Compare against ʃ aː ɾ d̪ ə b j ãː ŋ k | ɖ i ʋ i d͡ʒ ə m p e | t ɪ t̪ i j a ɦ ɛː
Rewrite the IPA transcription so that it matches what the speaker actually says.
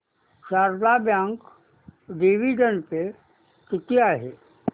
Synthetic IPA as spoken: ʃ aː ɾ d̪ a b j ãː ŋ k | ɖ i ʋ i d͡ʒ ə n p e | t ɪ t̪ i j a ɦ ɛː